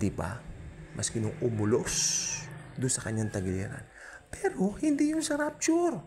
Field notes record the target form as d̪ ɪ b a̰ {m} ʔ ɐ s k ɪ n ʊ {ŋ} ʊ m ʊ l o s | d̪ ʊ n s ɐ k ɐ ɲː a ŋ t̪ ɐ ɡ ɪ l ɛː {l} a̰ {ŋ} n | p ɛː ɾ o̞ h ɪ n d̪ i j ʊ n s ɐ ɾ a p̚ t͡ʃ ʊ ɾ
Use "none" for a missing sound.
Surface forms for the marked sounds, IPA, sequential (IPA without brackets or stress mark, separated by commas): m, ŋ, ɾ, none